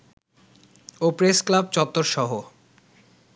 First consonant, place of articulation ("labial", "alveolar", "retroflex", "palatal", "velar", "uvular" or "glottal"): labial